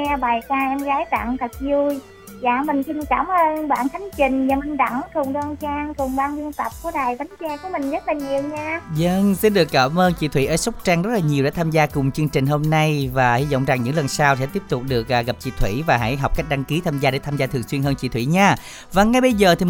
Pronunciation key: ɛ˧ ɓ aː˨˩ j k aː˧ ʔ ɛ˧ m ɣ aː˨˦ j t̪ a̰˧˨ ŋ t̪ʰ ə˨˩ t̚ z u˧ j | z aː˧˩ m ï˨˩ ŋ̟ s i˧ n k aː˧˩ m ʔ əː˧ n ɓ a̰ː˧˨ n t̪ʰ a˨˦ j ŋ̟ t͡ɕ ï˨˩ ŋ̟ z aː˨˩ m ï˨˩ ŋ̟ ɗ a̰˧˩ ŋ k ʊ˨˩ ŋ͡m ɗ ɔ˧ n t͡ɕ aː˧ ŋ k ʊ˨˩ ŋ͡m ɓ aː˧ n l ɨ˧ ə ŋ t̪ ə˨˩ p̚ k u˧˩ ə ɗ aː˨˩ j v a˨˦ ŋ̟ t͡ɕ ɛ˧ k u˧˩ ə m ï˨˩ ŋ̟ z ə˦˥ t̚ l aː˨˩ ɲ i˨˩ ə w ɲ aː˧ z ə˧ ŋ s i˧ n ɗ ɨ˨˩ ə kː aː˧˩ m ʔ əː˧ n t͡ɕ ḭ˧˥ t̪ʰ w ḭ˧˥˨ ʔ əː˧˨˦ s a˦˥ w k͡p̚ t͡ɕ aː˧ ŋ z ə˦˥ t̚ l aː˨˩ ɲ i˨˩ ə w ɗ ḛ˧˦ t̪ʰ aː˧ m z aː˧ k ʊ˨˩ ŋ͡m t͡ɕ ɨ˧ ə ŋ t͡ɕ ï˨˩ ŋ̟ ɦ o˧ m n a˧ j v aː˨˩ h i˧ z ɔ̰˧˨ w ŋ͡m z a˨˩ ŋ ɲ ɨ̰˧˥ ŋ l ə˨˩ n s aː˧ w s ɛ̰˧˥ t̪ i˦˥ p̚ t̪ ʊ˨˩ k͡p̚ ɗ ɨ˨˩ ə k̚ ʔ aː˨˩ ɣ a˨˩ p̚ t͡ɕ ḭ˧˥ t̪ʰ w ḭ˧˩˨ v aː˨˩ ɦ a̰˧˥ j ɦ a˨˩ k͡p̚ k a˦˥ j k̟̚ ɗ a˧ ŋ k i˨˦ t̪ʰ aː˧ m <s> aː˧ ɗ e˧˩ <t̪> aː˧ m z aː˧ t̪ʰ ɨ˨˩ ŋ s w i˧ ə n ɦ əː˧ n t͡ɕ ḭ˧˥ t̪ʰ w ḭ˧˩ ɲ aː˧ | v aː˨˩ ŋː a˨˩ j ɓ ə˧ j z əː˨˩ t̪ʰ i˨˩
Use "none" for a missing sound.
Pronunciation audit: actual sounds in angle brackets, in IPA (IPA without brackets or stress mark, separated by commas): z, t̪ʰ